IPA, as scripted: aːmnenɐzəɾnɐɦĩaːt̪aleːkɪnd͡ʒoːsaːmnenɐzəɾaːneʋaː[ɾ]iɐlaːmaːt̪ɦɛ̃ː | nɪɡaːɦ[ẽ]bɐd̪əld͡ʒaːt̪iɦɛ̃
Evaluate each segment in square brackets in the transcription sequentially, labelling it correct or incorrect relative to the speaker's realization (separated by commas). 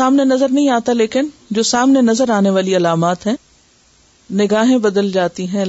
incorrect, correct